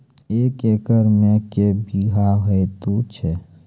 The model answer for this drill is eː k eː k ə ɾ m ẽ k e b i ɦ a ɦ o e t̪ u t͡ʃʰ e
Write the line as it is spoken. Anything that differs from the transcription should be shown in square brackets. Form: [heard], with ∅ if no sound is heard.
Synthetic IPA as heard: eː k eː k ə ɾ m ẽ k e b i ɦ a ɦ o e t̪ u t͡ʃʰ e